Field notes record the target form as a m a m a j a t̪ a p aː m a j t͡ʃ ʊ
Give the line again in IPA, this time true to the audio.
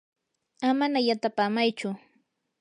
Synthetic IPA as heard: a m a n a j a t̪ a p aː m a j t͡ʃ ʊ